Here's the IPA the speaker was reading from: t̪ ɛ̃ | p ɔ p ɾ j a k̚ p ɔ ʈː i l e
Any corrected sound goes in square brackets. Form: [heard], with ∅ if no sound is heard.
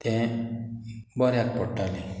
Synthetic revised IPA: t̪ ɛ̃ | [b] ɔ [∅] ɾ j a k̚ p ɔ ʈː [a] l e